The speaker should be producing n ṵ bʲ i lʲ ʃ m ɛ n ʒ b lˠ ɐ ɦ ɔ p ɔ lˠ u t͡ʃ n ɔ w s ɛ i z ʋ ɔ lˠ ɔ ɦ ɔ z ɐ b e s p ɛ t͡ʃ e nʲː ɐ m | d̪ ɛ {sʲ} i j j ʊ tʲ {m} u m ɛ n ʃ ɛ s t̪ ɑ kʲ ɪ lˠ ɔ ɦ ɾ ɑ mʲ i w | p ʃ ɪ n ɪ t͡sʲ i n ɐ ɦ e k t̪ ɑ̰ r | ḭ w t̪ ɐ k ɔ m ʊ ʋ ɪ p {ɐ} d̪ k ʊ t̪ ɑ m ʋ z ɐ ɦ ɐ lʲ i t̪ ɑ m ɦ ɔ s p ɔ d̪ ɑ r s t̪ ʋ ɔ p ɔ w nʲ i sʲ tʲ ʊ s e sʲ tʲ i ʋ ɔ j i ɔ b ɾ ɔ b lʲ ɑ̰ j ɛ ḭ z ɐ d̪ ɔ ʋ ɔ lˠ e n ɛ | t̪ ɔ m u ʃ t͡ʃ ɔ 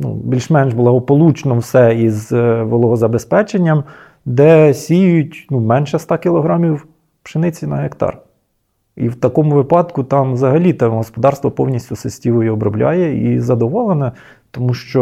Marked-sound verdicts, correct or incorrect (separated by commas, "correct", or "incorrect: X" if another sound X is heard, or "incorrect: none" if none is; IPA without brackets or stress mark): correct, incorrect: n, incorrect: ɑ